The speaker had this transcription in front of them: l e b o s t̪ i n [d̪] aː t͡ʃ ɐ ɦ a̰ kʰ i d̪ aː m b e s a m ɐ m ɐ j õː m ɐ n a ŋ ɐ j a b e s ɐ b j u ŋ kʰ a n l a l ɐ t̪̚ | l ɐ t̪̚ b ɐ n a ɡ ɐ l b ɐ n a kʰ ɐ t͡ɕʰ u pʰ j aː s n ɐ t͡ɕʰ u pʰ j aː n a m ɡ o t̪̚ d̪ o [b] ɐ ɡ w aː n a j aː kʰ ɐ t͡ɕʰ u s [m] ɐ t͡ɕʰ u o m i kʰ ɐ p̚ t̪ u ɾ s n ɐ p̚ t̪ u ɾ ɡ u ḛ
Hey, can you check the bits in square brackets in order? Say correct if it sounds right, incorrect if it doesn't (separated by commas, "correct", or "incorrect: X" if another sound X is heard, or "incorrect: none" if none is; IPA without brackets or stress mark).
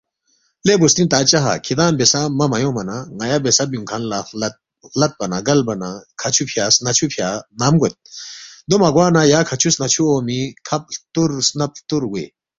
incorrect: t̪, incorrect: m, incorrect: n